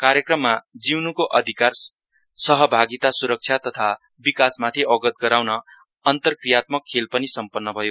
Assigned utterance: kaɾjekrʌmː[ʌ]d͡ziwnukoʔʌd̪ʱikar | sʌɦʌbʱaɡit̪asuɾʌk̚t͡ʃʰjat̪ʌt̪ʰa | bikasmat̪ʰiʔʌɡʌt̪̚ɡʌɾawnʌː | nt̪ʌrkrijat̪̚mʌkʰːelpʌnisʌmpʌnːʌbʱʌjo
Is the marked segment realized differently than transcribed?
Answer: yes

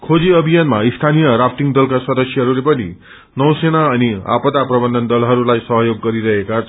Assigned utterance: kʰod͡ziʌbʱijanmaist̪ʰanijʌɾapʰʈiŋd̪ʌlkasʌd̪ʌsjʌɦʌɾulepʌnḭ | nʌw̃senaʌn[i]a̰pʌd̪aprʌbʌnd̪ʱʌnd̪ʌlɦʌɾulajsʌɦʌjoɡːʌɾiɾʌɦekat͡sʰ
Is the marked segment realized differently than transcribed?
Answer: no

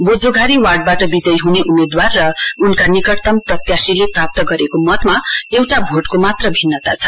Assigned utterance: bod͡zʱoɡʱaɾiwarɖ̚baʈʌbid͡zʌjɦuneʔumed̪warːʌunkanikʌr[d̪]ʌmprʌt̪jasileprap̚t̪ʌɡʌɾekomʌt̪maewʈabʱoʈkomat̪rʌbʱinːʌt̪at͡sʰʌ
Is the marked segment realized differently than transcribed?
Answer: yes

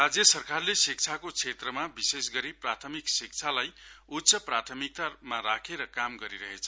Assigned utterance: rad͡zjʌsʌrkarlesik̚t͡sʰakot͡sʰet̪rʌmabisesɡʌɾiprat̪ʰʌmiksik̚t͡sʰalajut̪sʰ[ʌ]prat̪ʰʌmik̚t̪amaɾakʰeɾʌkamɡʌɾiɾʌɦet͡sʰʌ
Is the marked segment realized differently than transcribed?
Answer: no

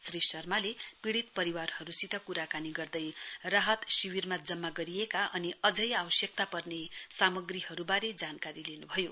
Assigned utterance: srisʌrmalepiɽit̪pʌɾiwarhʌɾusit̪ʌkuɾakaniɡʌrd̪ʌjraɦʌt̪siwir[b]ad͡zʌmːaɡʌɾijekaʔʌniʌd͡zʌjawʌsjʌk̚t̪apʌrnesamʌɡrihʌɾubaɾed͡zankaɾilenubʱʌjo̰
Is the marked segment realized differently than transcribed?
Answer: yes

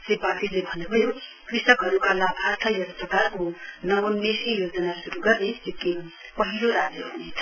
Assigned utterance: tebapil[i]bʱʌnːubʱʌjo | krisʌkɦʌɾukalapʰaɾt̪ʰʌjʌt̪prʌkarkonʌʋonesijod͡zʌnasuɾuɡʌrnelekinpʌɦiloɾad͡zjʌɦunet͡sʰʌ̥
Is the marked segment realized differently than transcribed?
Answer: yes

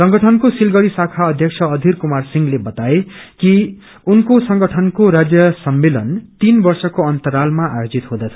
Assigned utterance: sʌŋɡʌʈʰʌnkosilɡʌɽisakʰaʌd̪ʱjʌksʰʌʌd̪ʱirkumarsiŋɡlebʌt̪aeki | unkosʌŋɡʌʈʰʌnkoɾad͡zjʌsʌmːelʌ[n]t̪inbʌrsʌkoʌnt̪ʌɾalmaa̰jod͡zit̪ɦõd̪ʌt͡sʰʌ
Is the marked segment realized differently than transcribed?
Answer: no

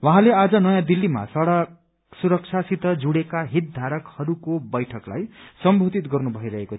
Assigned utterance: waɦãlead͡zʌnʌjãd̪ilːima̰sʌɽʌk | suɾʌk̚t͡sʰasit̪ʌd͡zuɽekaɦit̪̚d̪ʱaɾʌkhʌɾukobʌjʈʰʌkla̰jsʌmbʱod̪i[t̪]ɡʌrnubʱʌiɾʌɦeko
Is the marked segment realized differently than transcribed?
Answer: no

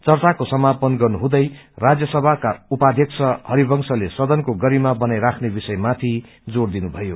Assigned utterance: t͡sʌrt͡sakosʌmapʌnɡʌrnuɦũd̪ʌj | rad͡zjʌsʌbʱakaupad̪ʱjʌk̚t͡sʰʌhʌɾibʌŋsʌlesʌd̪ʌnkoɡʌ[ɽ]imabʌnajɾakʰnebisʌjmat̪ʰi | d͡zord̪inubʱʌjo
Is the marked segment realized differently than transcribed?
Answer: yes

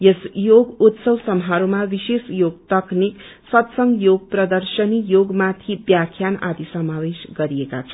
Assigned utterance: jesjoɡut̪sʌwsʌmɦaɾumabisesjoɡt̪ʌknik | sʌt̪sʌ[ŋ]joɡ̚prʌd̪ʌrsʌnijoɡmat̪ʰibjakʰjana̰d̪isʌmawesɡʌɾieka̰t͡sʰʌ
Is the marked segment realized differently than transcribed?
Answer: no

